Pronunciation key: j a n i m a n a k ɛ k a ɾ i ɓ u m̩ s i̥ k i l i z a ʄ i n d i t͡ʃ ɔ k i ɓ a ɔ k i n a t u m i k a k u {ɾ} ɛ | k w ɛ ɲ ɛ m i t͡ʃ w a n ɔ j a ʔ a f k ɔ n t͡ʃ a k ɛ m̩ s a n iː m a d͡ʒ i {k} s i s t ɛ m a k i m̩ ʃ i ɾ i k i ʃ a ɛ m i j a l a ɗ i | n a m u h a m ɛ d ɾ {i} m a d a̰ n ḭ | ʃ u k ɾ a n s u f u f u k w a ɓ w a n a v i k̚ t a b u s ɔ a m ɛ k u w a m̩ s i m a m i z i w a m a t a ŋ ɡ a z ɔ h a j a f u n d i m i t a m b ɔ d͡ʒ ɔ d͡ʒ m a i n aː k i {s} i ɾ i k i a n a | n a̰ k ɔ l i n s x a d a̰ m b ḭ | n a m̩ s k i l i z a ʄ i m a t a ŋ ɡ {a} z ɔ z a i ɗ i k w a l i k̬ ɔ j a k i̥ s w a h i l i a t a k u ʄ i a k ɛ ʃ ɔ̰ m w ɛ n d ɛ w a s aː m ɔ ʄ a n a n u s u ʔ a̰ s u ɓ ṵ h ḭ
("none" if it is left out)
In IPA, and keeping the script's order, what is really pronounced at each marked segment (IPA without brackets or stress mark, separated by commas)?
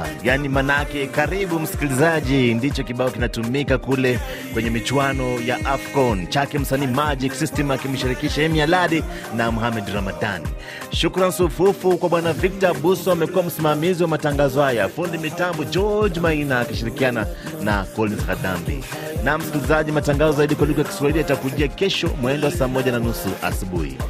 l, k, a, ʃ, a